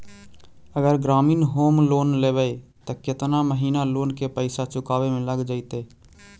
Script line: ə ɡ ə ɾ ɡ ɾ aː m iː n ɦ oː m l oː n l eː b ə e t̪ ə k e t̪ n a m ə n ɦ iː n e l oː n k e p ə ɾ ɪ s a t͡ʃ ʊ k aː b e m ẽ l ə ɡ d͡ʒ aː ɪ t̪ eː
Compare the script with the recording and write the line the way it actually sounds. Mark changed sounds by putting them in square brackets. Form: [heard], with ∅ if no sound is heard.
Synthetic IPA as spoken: ə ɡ ə ɾ ɡ ɾ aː m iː n ɦ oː m l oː n l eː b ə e t̪ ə k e t̪ n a m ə [∅] ɦ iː n [a] l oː n k e p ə [∅] ɪ s a t͡ʃ ʊ k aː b e m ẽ l ə ɡ d͡ʒ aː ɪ t̪ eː